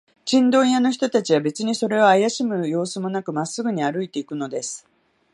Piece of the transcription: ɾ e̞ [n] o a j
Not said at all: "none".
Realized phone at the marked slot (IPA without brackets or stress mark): none